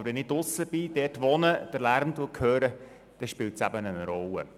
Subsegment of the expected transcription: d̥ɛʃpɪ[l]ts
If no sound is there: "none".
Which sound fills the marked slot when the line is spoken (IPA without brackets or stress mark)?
l